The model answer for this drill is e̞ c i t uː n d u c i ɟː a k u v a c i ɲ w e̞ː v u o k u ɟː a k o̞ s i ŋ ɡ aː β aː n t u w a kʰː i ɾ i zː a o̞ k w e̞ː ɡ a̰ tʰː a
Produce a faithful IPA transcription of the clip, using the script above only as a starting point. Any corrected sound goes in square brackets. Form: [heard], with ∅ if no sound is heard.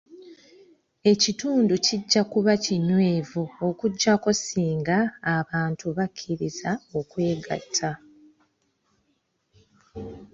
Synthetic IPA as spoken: e̞ c i t uː n d u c i ɟː a k u [β] a c i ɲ w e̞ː v u o k u ɟː a k o̞ s [iː] ŋ ɡ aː β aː n t u [β] a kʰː i ɾ i [z] a o̞ k w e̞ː ɡ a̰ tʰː a